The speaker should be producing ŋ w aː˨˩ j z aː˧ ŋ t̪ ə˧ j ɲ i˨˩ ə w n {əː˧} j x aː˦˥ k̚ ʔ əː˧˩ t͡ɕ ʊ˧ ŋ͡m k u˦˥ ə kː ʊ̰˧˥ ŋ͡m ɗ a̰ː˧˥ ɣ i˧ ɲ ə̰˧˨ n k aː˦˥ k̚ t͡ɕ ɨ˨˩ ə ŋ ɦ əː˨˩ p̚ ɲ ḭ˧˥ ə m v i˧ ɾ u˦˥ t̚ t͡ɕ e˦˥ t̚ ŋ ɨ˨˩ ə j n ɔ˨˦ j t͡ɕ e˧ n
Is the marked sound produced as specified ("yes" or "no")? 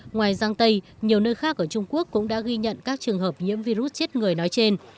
yes